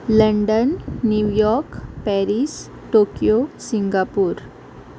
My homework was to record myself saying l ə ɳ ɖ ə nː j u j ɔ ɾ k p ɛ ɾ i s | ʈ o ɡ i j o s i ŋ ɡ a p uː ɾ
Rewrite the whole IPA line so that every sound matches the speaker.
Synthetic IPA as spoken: l ə ɳ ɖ ə nː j u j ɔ ɾ k p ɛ ɾ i s | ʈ o k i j o s i ŋ ɡ a p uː ɾ